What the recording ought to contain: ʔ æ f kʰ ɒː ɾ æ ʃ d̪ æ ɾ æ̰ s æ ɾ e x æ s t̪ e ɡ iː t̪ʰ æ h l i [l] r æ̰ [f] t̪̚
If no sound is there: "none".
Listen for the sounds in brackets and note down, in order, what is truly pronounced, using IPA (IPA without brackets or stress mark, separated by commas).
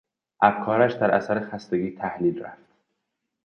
l, f